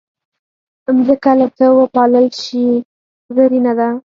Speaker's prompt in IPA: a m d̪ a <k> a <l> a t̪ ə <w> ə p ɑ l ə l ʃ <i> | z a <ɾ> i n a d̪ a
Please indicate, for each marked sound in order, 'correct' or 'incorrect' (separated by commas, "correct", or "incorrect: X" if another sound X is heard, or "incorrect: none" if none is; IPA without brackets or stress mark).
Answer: correct, correct, correct, correct, correct